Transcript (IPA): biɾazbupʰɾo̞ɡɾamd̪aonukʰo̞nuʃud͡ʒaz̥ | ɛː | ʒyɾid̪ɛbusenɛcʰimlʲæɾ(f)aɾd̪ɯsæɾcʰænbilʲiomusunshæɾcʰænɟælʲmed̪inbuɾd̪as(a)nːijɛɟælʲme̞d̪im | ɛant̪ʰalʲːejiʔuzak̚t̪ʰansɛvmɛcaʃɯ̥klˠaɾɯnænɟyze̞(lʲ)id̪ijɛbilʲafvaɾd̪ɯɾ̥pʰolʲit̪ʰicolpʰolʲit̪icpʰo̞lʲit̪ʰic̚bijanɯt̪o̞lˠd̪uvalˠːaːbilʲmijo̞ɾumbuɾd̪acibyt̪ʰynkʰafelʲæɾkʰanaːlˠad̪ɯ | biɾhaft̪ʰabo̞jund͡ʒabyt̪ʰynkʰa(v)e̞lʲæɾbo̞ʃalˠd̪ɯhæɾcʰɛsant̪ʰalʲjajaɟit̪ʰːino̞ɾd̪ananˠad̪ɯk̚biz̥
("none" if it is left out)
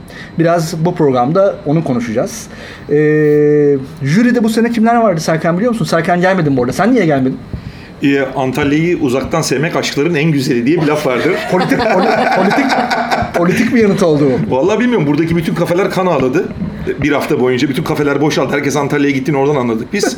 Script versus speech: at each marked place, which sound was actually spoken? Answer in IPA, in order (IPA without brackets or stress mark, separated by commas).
v, æ, lʲ, f